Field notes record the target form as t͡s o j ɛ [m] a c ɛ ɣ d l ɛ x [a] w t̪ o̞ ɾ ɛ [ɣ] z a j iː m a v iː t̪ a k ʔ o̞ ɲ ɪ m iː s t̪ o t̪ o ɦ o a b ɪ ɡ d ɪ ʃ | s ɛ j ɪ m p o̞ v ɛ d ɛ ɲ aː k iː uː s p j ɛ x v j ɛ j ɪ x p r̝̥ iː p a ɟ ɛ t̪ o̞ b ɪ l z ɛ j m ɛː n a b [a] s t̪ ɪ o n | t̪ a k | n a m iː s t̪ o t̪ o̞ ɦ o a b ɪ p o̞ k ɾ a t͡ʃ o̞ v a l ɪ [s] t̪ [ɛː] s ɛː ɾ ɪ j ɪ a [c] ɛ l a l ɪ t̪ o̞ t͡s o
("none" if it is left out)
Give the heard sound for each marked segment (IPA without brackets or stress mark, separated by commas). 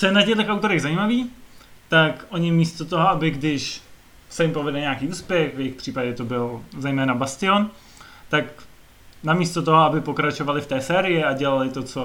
n, a, ɣ, a, f, ɛː, ɟ